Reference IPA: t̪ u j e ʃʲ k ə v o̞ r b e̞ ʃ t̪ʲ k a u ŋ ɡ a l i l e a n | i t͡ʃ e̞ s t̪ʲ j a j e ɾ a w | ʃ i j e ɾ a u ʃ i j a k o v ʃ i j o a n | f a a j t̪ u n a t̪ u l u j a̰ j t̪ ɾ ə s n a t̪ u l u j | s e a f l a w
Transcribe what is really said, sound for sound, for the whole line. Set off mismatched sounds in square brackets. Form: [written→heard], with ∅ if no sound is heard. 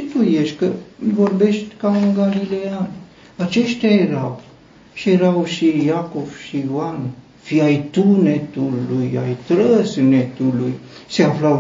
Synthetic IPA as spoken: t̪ u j e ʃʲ k ə v o̞ r b e̞ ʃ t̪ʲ k a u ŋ ɡ a l i l e a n | [i→a] t͡ʃ e̞ [s→ʃ] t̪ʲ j a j e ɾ a w | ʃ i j e ɾ a [u→w] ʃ i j a k o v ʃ i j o a n | f [a→i] a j t̪ u n [a→e] t̪ u l u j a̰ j t̪ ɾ ə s n [a→e] t̪ u l u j | s e a f l a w